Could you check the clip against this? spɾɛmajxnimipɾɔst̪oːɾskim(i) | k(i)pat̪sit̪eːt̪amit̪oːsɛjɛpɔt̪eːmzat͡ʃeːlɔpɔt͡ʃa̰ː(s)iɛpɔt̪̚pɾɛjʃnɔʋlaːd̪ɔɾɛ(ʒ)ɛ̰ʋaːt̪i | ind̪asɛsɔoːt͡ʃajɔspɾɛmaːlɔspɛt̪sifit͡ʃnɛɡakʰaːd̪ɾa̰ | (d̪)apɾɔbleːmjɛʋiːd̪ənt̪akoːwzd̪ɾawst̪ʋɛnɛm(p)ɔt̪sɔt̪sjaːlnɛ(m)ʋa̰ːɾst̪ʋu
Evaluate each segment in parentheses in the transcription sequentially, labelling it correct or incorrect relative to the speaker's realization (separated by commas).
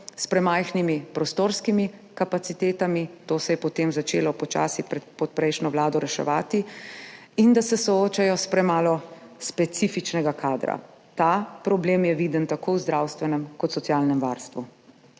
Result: correct, incorrect, correct, incorrect, incorrect, incorrect, correct